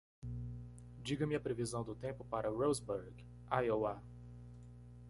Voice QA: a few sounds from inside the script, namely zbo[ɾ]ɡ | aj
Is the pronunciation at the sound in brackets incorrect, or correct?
correct